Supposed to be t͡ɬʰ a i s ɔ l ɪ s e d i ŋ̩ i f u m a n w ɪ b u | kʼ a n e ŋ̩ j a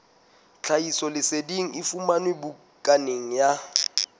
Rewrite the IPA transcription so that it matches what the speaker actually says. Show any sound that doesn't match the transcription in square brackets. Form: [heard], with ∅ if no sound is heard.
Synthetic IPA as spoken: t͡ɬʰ a i s ɔ l ɪ s e d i ŋ̩ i f u m a n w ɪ b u | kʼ a n e ŋ̩ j a